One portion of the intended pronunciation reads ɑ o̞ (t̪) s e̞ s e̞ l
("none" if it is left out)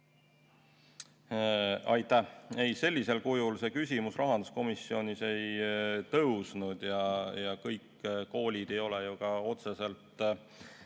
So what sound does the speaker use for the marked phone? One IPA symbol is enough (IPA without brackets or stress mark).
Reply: t̪